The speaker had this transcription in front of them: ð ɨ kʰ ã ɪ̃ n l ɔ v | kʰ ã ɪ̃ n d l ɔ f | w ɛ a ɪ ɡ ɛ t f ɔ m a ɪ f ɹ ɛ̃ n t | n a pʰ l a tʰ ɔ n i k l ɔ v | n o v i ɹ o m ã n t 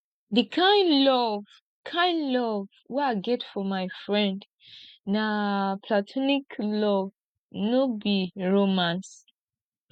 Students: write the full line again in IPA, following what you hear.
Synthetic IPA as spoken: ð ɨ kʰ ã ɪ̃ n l ɔ v | kʰ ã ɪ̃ n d l ɔ v | w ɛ a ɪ ɡ ɛ t f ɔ m a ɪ f ɹ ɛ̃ n d | n a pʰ l a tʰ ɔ n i k l ɔ v | n o b i ɹ o m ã n s